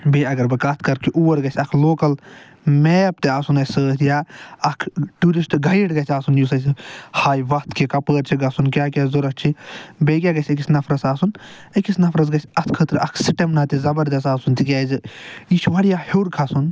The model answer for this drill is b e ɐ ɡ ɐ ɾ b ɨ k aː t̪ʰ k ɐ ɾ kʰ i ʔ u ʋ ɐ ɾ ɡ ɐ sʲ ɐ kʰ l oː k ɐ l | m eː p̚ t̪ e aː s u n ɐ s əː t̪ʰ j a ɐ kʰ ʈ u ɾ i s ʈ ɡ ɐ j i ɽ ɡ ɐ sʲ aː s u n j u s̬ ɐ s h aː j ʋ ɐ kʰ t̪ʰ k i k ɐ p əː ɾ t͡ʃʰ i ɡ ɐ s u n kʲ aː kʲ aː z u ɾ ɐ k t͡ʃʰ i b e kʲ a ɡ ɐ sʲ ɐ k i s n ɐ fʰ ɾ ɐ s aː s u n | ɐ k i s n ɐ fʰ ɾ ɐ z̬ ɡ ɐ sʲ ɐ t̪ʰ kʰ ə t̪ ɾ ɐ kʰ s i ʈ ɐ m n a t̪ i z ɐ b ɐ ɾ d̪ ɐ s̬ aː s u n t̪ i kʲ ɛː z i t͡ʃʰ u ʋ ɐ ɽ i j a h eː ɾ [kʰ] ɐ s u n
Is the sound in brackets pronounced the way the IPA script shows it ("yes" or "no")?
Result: yes